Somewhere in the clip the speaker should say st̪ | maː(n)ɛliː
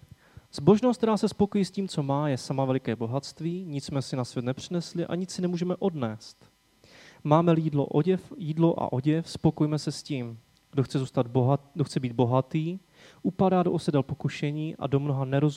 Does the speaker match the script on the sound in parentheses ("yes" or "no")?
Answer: no